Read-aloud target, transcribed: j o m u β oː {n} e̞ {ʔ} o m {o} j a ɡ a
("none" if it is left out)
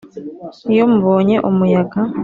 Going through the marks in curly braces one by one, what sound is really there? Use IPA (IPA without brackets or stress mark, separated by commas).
ɲ, ʔ, u